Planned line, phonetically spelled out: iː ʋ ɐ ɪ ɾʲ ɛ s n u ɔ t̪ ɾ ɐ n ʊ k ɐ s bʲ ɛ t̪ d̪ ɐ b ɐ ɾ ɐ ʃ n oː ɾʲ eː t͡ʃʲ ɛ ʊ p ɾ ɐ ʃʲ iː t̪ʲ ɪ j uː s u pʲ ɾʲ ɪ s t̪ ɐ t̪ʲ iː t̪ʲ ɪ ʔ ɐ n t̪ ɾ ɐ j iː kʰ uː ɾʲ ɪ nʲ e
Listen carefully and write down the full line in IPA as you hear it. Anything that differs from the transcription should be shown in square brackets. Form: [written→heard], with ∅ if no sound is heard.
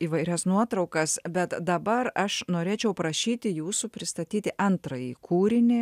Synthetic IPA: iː ʋ ɐ ɪ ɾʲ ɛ s n u ɔ t̪ ɾ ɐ [n→∅] ʊ k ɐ s bʲ ɛ t̪ d̪ ɐ b ɐ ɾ ɐ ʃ n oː ɾʲ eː t͡ʃʲ ɛ ʊ p ɾ ɐ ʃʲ iː t̪ʲ ɪ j uː s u pʲ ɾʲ ɪ s t̪ ɐ t̪ʲ iː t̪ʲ ɪ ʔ ɐ n t̪ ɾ ɐ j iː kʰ uː ɾʲ ɪ nʲ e